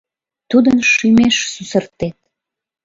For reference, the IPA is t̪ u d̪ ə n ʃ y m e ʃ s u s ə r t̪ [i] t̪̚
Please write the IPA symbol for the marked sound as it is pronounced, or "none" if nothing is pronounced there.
e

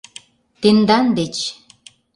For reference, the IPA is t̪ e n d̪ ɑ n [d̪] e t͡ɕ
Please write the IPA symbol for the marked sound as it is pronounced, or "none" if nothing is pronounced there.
d̪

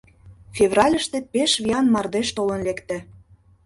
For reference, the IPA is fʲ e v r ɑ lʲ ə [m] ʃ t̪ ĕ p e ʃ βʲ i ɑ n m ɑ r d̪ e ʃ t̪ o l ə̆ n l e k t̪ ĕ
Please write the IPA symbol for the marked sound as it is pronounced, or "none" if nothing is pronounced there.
none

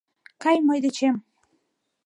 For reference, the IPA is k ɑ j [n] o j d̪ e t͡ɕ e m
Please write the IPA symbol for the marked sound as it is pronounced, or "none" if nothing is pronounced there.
m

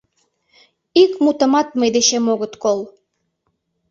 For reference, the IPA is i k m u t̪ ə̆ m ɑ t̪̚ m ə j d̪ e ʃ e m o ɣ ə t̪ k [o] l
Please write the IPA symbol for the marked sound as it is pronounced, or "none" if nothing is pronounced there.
o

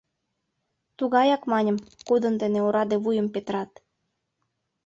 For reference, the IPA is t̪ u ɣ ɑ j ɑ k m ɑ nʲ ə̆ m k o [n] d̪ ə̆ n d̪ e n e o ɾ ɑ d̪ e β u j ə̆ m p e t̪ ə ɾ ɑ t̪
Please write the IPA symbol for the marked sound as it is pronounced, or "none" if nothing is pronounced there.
none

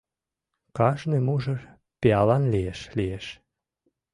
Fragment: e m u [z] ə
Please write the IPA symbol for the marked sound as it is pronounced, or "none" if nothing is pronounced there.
ʒ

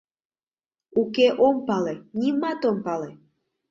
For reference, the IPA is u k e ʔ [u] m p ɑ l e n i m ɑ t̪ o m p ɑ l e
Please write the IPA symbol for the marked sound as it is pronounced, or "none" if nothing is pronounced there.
o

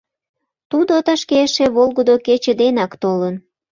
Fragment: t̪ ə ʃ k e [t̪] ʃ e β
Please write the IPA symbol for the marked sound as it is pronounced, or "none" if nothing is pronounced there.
none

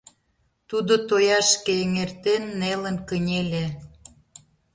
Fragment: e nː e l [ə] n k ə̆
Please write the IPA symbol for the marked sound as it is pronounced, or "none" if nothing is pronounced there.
ə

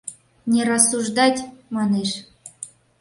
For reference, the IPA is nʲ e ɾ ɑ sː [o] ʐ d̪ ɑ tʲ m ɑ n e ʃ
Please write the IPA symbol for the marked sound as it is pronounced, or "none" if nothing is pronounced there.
u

